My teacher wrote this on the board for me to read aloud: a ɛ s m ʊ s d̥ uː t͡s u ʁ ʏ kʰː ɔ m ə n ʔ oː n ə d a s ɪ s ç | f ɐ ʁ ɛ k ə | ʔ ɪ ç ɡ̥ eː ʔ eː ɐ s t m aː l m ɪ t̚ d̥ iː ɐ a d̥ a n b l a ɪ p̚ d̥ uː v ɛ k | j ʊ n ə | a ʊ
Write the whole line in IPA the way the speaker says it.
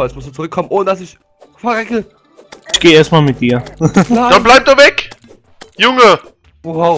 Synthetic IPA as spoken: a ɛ s m ʊ s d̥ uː t͡s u ʁ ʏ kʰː ɔ m ə n ʔ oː n ə d a s ɪ ç | f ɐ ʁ ɛ k ə | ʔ ɪ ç ɡ̥ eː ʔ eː ɐ s t m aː l m ɪ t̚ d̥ iː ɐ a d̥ a n b l a ɪ p̚ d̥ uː v ɛ k | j ʊ ŋ ə | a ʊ